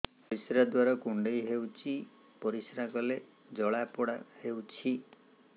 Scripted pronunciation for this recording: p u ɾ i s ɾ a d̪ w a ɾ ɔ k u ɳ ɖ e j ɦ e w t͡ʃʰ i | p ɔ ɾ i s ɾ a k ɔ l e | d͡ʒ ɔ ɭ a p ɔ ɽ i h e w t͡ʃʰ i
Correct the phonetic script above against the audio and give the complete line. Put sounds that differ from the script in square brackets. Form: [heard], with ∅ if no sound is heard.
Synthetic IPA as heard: p [ɔ] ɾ i s ɾ a d̪ w a ɾ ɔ k u ɳ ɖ e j ɦ e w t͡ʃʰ i | p ɔ ɾ i s ɾ a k ɔ l e | d͡ʒ ɔ ɭ a p ɔ ɽ [a] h e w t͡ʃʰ i

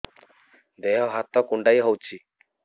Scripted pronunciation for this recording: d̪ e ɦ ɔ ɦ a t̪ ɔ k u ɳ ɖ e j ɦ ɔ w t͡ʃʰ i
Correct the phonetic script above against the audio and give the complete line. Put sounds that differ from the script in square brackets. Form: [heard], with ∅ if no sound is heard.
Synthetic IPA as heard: d̪ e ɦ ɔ ɦ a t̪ ɔ k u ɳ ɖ [a] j ɦ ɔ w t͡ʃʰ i

